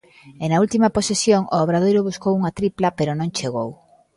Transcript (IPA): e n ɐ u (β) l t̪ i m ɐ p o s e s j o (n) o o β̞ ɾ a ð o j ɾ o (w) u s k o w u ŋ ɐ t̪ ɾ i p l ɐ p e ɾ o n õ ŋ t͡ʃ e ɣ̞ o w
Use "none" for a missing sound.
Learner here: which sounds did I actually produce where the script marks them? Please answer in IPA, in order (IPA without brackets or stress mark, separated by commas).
none, ŋ, β